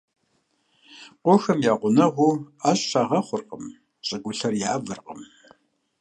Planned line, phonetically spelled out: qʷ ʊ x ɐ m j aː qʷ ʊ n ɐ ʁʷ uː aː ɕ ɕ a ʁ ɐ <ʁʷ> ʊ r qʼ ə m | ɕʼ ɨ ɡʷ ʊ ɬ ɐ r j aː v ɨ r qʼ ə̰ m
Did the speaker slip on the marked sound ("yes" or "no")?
yes